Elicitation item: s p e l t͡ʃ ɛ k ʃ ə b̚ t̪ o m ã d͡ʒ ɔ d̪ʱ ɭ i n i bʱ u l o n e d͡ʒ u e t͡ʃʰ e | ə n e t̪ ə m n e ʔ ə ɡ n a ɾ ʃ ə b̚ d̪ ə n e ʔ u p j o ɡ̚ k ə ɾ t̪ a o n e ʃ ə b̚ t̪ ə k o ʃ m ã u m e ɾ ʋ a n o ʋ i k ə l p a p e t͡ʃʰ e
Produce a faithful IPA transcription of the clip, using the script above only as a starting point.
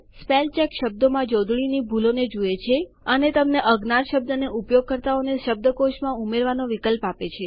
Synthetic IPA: s p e l t͡ʃ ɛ k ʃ ə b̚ d̪ o m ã d͡ʒ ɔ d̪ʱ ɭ i n i bʱ u l o n e d͡ʒ u e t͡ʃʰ e | ə n e t̪ ə m n e ʔ ə ɡ n a ɾ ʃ ə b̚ d̪ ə n e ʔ u p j o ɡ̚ k ə ɾ t̪ a o n e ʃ ə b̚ d̪ ə k o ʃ m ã u m e ɾ ʋ a n o ʋ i k ə l p a p e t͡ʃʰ e